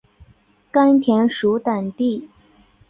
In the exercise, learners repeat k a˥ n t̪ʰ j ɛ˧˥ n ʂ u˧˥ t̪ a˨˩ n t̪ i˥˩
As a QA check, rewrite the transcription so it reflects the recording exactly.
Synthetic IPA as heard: k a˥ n t̪ʰ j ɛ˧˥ n ʂ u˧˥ t̪ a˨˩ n t̪ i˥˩